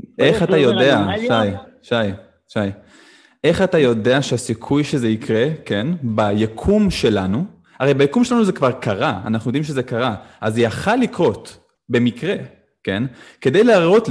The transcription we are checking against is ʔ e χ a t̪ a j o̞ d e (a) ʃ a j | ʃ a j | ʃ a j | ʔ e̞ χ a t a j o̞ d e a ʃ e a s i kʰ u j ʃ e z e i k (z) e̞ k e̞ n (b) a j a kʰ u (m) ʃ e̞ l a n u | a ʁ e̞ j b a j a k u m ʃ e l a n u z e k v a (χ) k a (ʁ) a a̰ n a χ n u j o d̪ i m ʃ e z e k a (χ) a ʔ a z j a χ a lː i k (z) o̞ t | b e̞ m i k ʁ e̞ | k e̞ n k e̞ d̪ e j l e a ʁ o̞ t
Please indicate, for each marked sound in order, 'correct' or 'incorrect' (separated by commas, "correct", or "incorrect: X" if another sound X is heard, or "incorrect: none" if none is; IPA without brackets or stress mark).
correct, incorrect: ʁ, correct, correct, incorrect: ʁ, correct, incorrect: ʁ, incorrect: ʁ